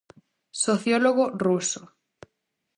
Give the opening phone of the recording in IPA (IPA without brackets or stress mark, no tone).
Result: s